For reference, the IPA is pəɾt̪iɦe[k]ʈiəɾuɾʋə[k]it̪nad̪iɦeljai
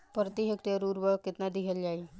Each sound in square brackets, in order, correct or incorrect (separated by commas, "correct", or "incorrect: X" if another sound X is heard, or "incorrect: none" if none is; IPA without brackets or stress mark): correct, correct